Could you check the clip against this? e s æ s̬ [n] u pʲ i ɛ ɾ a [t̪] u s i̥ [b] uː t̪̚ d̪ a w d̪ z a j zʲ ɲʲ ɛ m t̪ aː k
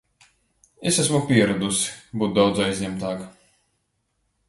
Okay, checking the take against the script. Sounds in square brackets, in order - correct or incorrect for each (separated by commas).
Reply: incorrect, incorrect, correct